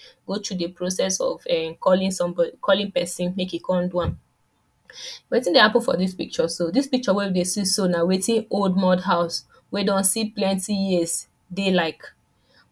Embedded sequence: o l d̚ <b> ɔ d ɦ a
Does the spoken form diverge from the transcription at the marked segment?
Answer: yes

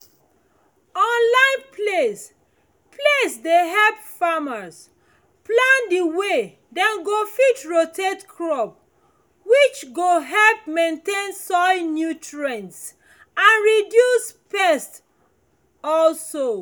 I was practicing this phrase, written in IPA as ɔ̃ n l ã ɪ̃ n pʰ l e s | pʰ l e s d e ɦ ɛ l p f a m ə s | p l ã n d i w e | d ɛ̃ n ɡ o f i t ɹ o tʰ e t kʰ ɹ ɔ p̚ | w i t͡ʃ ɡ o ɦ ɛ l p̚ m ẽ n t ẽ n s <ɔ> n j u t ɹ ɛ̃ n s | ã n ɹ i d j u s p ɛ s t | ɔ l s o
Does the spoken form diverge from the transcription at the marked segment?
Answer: no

